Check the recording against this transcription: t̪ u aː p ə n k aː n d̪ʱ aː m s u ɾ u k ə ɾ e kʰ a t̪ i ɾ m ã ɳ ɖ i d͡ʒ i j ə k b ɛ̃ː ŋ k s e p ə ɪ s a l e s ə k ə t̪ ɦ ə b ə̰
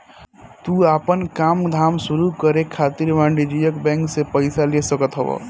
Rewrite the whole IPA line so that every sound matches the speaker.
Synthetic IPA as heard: t̪ u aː p ə n k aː m d̪ʱ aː m s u ɾ u k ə ɾ e kʰ a t̪ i ɾ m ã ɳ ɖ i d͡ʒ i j ə k b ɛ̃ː ŋ k s e p ə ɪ s a l e s ə k ə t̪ ɦ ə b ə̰